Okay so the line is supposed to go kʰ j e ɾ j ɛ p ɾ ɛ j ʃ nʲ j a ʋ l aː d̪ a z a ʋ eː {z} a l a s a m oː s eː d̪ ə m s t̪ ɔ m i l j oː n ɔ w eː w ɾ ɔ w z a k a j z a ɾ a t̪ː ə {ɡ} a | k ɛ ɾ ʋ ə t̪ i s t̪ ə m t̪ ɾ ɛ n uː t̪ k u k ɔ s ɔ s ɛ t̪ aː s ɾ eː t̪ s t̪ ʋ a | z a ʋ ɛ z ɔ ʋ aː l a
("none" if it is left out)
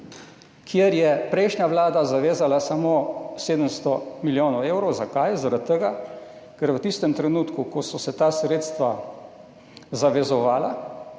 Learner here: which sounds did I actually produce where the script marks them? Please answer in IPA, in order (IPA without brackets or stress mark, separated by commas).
z, ɡ